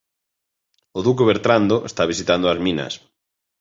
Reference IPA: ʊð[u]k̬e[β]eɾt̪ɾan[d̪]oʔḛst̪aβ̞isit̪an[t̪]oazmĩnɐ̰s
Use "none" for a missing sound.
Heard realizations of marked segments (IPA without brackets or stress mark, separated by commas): u, β, d̪, d̪